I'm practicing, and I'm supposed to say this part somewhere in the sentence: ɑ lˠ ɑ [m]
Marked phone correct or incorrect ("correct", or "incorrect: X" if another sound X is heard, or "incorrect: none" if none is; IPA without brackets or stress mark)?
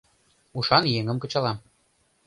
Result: correct